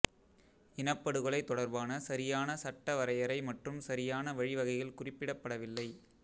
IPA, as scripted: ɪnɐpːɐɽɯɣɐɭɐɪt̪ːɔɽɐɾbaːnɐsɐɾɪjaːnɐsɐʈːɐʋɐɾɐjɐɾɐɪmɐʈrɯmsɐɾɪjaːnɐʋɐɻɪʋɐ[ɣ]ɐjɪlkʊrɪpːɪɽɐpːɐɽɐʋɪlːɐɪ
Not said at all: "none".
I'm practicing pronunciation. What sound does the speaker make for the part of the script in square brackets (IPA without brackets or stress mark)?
ɣ